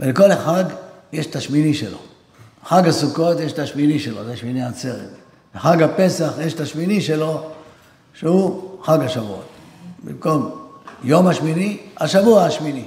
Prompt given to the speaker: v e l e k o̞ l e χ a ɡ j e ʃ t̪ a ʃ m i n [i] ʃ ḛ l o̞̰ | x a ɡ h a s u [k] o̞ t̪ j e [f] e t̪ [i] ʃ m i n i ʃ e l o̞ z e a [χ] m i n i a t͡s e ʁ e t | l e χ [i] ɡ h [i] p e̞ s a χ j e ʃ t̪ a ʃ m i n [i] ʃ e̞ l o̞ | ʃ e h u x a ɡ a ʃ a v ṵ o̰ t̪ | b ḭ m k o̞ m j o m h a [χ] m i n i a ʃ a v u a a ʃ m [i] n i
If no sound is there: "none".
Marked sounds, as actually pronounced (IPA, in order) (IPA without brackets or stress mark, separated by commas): i, k, ʃ, a, ʃ, a, a, i, ʃ, i